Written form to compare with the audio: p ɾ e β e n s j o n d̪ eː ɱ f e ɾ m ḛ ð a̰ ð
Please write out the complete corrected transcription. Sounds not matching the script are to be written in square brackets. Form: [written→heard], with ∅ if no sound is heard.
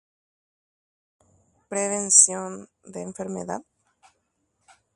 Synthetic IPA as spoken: p ɾ e β e n s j o n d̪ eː ɱ f e ɾ m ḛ ð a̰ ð